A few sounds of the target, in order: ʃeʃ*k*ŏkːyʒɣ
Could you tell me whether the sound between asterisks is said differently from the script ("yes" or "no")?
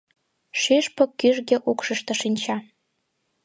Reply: yes